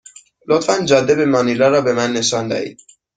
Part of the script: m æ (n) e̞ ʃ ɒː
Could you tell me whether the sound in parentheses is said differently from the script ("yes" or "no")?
yes